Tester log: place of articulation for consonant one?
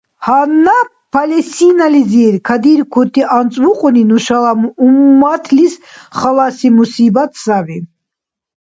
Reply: glottal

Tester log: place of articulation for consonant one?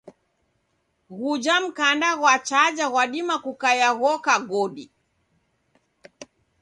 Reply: velar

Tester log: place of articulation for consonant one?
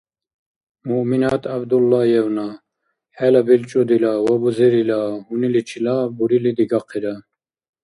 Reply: labial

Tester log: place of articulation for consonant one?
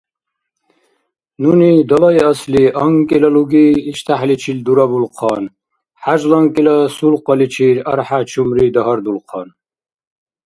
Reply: alveolar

